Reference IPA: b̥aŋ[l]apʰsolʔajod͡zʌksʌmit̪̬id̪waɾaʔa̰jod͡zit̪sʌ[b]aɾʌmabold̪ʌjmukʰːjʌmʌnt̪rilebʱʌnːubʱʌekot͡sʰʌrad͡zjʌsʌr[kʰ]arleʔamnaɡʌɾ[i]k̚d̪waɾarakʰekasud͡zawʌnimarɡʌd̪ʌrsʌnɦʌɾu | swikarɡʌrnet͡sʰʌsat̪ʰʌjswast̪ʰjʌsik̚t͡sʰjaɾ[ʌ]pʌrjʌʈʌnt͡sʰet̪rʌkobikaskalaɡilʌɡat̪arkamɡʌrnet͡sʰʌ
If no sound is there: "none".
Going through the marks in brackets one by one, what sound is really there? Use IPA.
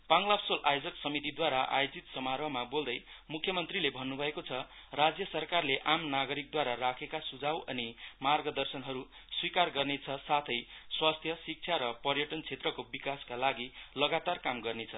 l, m, k, i, ʌ

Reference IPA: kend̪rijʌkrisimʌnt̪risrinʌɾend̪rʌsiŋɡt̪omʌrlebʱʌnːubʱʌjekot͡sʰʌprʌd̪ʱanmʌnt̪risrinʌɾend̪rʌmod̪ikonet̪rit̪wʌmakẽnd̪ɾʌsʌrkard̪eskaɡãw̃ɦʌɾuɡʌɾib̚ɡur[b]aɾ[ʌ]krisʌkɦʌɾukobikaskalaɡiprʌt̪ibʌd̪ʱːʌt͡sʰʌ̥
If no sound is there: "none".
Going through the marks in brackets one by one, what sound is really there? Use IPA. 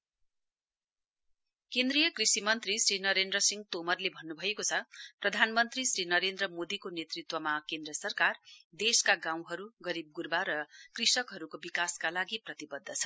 b, ʌ

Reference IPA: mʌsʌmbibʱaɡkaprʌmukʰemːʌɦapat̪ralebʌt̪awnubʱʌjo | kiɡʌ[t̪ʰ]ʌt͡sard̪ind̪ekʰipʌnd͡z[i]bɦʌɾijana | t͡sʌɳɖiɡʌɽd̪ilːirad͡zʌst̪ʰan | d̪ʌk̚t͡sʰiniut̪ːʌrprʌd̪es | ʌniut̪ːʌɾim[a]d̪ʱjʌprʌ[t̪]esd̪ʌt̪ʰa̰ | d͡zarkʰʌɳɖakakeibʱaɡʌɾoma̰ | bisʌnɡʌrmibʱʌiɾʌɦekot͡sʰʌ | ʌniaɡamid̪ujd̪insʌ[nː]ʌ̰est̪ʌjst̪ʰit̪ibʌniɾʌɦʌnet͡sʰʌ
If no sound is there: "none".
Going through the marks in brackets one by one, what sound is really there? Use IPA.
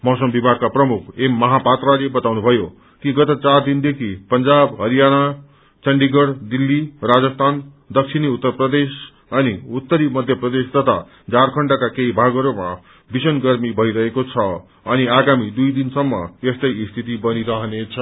t̪, a, ʌ, d̪, mː

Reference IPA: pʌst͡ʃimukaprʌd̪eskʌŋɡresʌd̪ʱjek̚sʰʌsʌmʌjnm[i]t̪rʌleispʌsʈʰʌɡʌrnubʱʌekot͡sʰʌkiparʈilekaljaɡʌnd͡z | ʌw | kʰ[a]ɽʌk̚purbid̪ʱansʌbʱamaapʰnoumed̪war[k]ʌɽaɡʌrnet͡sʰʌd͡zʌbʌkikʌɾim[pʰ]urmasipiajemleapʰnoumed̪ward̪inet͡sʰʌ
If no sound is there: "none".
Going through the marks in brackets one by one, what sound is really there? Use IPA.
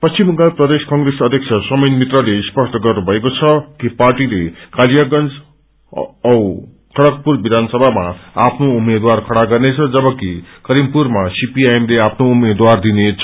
i, ʌ, kʰ, p

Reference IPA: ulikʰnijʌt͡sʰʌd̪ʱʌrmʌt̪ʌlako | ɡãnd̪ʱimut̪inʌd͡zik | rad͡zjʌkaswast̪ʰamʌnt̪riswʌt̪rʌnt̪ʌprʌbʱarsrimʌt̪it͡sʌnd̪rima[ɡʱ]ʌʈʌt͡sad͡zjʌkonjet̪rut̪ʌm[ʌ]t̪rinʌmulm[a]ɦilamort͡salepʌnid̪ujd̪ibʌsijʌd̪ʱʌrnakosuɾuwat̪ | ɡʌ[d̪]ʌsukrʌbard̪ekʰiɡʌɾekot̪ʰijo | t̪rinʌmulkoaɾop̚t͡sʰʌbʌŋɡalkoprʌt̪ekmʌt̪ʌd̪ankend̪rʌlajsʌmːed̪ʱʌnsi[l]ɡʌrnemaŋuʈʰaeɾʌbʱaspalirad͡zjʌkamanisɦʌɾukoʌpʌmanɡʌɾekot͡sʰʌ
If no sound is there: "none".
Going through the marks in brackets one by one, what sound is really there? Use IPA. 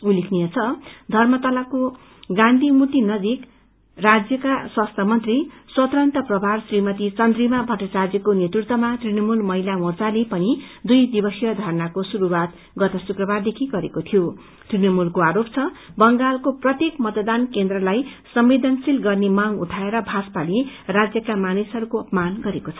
bʱ, a, ʌ, t̪, l

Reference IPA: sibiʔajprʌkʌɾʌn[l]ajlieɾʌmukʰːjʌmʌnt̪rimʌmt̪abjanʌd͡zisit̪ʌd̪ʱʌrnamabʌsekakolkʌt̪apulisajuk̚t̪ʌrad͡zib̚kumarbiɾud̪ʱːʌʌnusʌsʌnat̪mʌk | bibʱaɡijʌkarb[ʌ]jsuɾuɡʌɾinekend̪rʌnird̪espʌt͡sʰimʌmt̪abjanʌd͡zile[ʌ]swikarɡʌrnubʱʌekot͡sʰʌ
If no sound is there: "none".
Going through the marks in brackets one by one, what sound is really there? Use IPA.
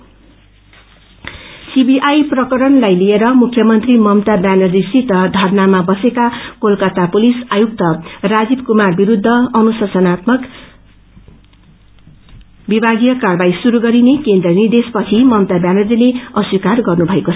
l, a, ʌ

